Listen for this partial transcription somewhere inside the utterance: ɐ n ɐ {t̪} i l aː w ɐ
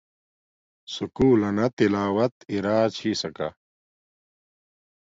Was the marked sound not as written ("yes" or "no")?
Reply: no